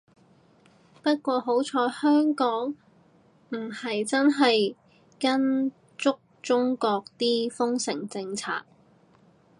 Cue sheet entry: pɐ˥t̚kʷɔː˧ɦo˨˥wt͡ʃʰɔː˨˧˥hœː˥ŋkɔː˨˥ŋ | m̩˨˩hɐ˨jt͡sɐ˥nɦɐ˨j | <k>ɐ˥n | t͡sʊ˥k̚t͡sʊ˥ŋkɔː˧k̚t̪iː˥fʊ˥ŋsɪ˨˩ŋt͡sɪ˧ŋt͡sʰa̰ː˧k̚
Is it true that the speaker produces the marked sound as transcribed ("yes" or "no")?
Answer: yes